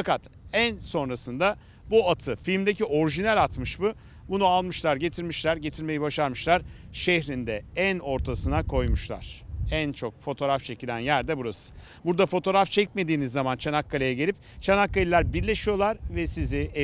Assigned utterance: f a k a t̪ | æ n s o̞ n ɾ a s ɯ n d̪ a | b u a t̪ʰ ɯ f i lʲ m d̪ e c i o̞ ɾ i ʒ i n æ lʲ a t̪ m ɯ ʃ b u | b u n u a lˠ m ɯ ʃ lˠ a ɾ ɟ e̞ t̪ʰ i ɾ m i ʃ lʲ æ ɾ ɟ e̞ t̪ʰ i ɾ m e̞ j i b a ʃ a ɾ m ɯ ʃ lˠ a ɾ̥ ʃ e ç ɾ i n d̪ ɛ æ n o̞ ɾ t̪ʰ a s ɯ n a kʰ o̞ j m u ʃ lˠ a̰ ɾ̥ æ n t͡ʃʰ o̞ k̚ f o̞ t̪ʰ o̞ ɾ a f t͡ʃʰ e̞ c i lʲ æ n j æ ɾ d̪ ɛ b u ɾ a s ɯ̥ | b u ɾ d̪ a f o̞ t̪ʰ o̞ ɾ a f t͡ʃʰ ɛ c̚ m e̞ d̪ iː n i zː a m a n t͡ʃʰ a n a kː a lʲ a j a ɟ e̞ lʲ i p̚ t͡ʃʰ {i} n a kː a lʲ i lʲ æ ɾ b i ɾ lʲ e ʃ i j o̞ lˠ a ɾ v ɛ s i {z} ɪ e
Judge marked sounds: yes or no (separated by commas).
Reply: no, yes